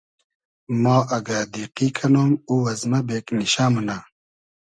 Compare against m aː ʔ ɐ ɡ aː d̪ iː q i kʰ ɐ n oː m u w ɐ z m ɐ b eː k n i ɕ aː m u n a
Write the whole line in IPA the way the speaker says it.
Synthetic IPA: m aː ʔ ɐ ɡ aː d̪ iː q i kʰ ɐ n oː m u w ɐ z m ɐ b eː k n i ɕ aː m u n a